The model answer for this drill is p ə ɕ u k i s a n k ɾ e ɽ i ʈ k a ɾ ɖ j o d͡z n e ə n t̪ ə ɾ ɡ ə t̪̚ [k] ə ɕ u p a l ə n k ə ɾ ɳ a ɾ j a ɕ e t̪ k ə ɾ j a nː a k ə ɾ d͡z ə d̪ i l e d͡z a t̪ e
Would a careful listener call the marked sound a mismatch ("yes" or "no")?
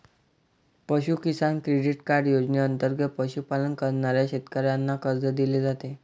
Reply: yes